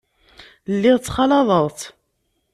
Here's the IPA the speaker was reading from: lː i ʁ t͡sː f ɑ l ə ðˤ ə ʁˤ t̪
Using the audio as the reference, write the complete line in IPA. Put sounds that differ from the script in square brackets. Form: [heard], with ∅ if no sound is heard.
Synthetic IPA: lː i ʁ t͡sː [χ] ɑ l [ɑ] ðˤ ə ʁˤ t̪